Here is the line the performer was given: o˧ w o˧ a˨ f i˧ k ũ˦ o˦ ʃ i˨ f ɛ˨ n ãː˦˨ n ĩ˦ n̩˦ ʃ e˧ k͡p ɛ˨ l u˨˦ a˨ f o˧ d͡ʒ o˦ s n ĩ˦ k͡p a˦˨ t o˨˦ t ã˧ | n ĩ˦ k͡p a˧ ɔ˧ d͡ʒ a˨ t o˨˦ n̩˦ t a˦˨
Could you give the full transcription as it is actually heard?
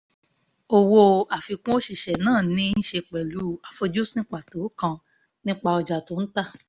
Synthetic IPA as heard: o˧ w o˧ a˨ f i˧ k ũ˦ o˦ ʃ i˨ ʃ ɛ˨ n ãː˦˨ n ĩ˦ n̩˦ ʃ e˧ k͡p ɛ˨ l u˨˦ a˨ f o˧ d͡ʒ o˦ s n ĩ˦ k͡p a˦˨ t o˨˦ k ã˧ | n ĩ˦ k͡p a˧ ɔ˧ d͡ʒ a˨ t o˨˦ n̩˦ t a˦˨